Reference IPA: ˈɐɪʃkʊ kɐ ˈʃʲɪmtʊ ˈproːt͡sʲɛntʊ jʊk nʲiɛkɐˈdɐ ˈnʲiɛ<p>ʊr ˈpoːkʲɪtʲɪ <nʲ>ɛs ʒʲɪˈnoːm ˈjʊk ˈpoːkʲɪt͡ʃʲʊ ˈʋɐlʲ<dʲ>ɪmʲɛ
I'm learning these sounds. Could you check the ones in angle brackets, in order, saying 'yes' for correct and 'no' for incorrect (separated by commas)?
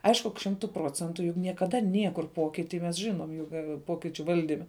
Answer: no, no, yes